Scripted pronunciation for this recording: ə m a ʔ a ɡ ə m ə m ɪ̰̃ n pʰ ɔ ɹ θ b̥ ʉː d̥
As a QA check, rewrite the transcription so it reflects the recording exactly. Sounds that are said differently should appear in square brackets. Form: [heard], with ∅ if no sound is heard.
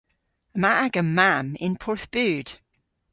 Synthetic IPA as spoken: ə m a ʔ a ɡ ə m [a] m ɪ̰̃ n pʰ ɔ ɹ θ b̥ ʉː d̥